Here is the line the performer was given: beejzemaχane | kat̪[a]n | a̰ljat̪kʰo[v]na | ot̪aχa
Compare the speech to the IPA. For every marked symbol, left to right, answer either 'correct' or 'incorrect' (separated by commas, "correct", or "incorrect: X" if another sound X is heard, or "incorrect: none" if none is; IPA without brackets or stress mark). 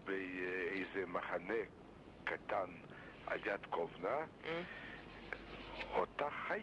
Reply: correct, correct